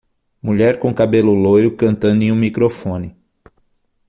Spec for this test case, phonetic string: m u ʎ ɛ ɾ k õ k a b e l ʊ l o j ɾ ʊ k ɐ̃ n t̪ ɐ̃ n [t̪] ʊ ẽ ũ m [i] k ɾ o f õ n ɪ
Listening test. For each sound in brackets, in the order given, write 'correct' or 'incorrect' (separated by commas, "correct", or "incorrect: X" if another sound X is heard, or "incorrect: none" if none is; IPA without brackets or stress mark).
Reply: incorrect: d̪, correct